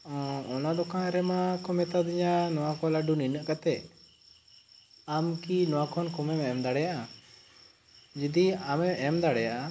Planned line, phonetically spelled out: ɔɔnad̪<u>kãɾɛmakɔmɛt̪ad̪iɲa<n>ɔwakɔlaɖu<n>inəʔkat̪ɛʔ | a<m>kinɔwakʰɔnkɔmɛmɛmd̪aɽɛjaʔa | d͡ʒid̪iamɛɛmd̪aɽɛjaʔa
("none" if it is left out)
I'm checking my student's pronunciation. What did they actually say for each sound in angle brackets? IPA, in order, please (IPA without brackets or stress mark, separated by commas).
ɔ, n, n, m